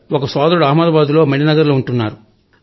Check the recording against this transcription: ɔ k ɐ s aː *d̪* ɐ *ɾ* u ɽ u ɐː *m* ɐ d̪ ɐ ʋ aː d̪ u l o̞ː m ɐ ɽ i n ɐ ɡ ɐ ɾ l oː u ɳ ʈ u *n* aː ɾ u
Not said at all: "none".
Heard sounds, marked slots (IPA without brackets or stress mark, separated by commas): d̪, ɾ, m, nː